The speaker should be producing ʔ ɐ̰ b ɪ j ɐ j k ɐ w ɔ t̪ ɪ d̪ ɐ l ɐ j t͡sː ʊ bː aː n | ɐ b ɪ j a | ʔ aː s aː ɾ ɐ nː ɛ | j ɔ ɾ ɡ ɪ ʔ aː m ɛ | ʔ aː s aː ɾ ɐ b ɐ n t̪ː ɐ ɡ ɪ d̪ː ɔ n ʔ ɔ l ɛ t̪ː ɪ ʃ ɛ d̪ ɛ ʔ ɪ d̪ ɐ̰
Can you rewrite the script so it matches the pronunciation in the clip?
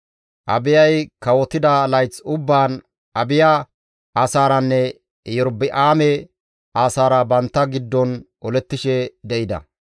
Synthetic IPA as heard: ʔ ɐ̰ b ɪ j ɐ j k ɐ w ɔ t̪ ɪ d̪ ɐ l ɐ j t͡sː ʊ bː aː n | ɐ b ɪ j a | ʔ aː s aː ɾ ɐ nː ɛ | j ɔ ɾ b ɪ ʔ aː m ɛ | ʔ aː s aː ɾ ɐ b ɐ n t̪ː ɐ ɡ ɪ d̪ː ɔ n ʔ ɔ l ɛ t̪ː ɪ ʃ ɛ d̪ ɛ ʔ ɪ d̪ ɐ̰